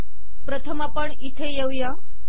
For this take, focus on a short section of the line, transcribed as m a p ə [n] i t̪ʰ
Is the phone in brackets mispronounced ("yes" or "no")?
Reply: yes